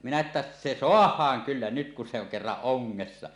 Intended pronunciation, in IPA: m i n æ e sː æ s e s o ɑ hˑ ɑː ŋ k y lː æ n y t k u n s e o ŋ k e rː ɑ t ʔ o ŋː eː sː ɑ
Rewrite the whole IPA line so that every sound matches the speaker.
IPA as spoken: m i n æ e tː æ s e s o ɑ hˑ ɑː ŋ k y lː æ n y t k u n s e o ŋ k e rː ɑ ʔ ʔ o ŋː e sː ɑ